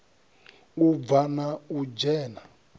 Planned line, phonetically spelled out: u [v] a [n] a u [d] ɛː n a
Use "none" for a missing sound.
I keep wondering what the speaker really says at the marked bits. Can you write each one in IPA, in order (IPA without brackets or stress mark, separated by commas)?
v, n, d͡ʒ